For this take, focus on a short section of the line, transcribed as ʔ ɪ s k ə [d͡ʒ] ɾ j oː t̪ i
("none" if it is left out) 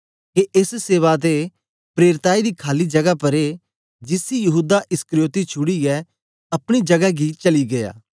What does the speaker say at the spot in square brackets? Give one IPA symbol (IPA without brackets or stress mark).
none